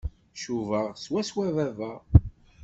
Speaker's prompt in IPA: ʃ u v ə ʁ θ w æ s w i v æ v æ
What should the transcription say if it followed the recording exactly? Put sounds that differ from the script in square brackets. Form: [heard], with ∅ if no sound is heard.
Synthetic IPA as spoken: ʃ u v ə ʁ [s] w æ s w [æ] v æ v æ